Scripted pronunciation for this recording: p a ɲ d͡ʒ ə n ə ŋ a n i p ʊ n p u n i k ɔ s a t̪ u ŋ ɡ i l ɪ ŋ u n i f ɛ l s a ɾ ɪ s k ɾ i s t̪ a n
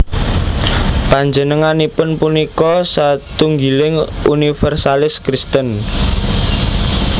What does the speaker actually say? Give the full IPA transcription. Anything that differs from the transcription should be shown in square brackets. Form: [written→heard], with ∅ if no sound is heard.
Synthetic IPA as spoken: p a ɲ d͡ʒ ə n ə ŋ a n i p ʊ n p u n i k ɔ s a t̪ u ŋ ɡ i l ɪ ŋ u n i f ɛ [l→r] s a [ɾ→l] ɪ s k ɾ i s t̪ [a→ə] n